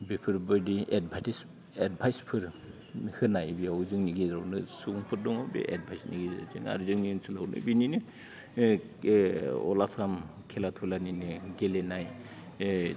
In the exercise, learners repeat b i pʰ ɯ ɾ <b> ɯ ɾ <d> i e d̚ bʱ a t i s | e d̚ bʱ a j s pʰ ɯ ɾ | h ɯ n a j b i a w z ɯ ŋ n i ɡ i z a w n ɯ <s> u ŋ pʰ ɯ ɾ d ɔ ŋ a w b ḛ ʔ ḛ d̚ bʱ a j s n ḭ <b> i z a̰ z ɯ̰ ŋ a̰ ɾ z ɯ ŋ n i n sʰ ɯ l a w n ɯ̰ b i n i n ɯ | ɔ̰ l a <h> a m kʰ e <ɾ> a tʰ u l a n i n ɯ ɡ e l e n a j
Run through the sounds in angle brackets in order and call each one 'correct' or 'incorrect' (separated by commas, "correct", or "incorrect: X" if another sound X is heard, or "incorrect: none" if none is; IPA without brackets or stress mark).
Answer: correct, correct, correct, incorrect: ɡ, incorrect: s, incorrect: l